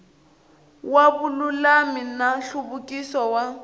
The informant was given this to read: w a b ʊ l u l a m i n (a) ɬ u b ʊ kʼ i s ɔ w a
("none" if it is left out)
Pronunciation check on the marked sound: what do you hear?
a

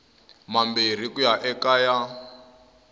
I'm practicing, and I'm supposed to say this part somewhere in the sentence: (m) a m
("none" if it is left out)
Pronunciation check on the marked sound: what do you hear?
m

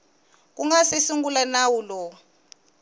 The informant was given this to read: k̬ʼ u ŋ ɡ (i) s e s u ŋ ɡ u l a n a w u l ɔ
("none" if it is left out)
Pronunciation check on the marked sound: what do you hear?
a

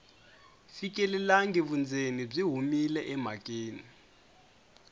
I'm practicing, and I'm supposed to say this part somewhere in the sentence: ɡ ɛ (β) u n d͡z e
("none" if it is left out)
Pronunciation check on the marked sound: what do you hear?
β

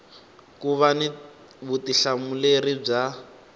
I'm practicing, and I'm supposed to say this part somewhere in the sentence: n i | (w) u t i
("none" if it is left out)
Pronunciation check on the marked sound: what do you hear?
β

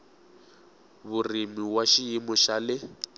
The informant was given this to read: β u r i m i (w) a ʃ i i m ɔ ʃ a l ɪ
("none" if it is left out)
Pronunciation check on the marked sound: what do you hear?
w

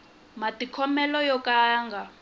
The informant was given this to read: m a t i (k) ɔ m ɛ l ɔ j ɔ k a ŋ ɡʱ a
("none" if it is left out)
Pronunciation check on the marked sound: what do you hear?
kʰ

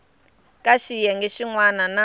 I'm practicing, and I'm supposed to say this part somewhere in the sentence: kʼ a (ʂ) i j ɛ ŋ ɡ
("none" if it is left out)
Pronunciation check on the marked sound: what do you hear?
ʃ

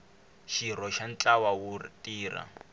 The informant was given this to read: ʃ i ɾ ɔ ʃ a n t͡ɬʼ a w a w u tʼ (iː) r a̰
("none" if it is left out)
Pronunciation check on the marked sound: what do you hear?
iː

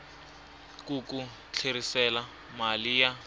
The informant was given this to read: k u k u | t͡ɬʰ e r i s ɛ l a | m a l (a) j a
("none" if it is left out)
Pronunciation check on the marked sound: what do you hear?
i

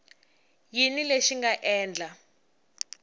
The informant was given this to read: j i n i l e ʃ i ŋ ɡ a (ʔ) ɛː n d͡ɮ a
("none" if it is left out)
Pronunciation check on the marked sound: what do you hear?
ʔ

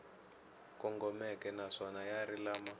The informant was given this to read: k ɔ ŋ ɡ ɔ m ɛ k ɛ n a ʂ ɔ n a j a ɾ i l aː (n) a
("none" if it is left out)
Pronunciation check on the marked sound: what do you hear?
m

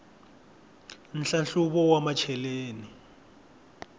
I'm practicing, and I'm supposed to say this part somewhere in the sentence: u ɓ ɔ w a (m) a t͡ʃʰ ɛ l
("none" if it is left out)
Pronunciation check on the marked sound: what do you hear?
m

